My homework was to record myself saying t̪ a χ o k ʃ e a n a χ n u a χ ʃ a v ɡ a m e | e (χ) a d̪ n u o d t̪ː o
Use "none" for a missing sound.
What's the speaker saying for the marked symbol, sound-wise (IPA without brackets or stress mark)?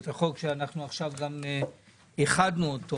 χ